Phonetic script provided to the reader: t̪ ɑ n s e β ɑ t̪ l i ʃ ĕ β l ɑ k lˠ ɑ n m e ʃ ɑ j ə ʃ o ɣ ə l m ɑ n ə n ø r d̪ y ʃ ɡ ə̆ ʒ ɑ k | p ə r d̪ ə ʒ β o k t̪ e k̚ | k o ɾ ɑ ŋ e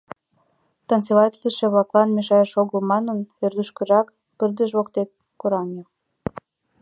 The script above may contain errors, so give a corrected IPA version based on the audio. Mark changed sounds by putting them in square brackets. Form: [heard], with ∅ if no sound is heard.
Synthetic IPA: t̪ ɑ n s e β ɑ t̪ l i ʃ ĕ β l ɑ k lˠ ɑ n m e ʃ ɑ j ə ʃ o ɣ ə l m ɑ n ə n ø r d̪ y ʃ [k] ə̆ ʒ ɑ k | p ə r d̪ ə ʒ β o k t̪ e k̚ | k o ɾ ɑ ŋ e